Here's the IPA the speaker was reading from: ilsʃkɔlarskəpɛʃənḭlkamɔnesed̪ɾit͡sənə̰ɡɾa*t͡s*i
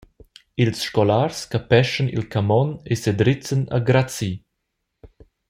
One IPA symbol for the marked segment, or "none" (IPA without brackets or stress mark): t͡s